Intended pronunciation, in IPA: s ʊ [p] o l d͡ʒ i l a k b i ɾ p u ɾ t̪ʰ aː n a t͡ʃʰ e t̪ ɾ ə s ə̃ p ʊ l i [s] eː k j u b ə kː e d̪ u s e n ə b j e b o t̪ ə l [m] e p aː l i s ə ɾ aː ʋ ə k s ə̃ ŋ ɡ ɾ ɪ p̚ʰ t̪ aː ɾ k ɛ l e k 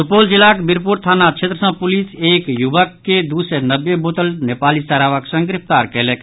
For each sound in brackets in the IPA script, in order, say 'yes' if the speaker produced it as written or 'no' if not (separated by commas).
yes, yes, no